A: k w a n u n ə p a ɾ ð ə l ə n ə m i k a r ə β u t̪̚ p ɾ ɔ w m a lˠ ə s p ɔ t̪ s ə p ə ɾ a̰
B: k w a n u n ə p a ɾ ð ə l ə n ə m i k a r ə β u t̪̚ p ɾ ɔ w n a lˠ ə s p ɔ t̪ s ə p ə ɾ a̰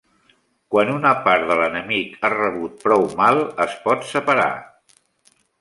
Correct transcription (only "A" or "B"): A